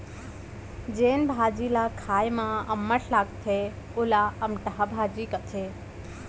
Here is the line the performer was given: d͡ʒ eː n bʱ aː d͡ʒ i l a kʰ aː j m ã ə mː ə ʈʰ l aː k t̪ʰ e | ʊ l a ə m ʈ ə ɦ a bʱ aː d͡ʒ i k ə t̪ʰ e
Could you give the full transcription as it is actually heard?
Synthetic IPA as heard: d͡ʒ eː n bʱ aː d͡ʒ i l a kʰ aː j m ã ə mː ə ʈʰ l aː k t̪ʰ e | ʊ l a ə m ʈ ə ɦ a bʱ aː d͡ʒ i k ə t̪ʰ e

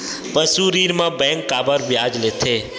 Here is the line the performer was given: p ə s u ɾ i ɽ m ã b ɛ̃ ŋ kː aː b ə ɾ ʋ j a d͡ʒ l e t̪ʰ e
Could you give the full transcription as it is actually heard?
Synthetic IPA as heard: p ə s u ɾ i ɾ m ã b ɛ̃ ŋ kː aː b ə ɾ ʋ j a d͡ʒ l e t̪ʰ e

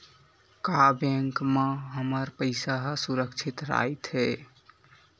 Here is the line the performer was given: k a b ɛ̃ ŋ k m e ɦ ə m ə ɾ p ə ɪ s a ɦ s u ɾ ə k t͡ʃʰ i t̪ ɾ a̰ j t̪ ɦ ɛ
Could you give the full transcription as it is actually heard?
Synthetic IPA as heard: k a b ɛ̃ ŋ k m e ɦ ə m ə ɾ p ə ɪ s a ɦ s u ɾ ə k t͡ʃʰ i t̪ ɾ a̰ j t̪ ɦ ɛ

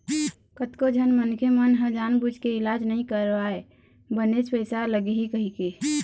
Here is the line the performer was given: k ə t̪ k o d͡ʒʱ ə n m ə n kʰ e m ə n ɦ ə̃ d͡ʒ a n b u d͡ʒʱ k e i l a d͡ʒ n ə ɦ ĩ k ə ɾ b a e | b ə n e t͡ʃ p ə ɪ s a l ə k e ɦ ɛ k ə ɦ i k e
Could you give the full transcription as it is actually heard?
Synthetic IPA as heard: k ə t̪ k o d͡ʒʱ ə n m ə n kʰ e m ə n ɦ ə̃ d͡ʒ a n b u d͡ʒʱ k e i l a d͡ʒ n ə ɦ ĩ k ə ɾ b a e | b ə n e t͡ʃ p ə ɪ s a l ə ɡ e ɦ i k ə ɦ i k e

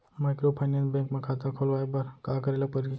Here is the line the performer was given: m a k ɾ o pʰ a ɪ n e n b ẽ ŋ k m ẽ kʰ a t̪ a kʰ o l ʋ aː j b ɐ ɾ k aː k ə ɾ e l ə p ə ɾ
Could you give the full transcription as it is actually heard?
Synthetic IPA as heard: m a k ɾ o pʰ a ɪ n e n b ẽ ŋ k m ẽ kʰ a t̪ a kʰ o l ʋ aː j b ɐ ɾ k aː k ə ɾ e l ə p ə ɾ

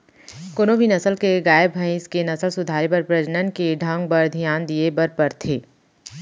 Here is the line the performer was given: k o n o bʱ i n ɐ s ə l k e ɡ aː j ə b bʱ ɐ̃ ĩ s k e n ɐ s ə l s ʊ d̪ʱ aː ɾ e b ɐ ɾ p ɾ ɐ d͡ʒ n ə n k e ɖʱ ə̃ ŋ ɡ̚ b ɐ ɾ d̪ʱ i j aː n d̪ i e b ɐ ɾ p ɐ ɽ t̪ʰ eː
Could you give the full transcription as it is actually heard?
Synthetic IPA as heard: k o n o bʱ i n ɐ s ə l k e ɡ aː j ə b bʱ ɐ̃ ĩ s k e n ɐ s ə l s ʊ d̪ʱ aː ɾ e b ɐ ɾ p ɾ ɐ d͡ʒ n ə n k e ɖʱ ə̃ ŋ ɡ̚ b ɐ ɾ d̪ʱ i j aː n d̪ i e b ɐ ɾ p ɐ ɾ t̪ʰ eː

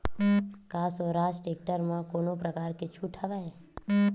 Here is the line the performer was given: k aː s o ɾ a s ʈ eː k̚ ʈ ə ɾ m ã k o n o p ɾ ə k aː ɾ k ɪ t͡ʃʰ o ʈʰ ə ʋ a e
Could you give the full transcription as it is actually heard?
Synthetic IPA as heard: k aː s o ɾ a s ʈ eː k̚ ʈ ə ɾ m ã k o n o p ɾ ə k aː ɾ k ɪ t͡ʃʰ u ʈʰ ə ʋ a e

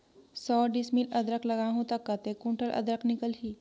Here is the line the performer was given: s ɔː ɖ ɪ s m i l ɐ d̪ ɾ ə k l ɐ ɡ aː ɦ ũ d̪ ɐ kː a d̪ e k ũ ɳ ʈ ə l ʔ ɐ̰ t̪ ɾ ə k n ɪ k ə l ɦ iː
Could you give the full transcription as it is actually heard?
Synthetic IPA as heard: s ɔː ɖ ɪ s m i l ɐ d̪ ɾ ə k l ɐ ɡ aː ɦ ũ t̪ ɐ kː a t̪ e k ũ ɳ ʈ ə l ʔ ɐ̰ d̪ ɾ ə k n ɪ k ə l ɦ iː

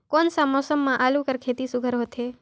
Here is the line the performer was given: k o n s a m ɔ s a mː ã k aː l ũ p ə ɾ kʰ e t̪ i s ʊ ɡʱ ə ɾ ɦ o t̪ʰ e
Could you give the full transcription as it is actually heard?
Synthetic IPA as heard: k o n s a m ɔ s ə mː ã ʔ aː l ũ k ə ɾ kʰ e t̪ i s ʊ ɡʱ ə ɾ ɦ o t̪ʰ e

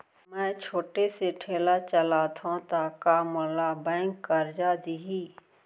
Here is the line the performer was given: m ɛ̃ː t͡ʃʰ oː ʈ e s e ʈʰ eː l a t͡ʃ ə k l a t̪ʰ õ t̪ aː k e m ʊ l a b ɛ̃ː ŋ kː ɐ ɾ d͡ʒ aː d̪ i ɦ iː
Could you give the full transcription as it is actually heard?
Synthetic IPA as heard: m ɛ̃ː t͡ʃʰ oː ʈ e s e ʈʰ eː l a t͡ʃ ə l a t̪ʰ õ t̪ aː k a m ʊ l a b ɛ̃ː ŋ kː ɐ ɾ d͡ʒ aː d̪ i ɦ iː

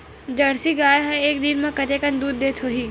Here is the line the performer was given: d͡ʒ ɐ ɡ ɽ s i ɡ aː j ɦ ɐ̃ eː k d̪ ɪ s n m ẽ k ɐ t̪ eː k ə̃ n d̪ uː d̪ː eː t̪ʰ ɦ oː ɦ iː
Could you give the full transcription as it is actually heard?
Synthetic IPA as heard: d͡ʒ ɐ ɽ s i ɡ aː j ɦ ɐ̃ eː k d̪ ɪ n m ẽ k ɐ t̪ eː k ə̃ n d̪ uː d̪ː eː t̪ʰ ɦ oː ɦ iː

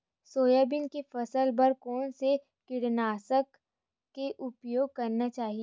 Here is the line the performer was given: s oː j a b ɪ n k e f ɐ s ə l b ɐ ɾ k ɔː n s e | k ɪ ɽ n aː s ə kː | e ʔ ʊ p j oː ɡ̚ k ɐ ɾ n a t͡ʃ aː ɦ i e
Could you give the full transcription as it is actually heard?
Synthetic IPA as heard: s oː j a b ɪ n k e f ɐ s ə l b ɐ ɾ k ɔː n s e | k ɪ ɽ n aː s ə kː | e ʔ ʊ p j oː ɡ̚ k ɐ ɾ n a t͡ʃ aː ɦ i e

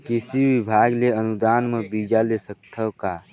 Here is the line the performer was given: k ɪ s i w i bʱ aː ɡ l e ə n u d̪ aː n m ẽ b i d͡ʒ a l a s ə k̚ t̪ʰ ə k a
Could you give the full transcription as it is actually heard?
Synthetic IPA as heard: k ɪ s i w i bʱ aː ɡ l e ə n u d̪ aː n m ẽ b i d͡ʒ a l e s ə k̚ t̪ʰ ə k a

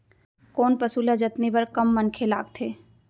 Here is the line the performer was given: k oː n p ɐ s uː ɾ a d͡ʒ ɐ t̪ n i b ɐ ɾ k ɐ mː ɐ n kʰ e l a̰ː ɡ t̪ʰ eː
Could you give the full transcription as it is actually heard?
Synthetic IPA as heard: k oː n p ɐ s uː l a d͡ʒ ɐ t̪ n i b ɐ ɾ k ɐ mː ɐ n kʰ e l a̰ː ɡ t̪ʰ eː

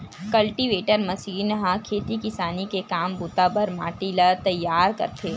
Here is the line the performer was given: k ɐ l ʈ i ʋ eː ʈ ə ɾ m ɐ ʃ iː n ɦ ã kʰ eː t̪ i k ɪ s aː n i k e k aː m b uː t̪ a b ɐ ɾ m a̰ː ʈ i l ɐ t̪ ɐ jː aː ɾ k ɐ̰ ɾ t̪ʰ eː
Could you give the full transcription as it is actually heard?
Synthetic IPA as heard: k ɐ l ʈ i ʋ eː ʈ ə ɾ m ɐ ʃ iː n ɦ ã kʰ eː t̪ i k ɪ s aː n i k e k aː m b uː t̪ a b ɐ ɾ m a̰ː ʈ i l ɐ t̪ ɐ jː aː ɾ k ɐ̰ ɾ t̪ʰ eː

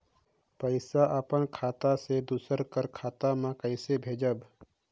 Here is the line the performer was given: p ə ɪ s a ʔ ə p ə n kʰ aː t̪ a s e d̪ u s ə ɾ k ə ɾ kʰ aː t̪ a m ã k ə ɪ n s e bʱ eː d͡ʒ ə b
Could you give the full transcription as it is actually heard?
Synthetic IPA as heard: p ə ɪ s a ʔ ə p ə n kʰ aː t̪ a s e d̪ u s ə ɾ k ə ɾ kʰ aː t̪ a m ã k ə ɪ s e bʱ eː d͡ʒ ə b

